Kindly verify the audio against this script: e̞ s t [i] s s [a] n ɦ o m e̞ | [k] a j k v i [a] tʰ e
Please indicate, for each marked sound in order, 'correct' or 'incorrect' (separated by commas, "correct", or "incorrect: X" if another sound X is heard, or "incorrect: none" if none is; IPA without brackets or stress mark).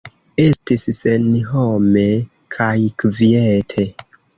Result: correct, incorrect: e, incorrect: kʰ, incorrect: e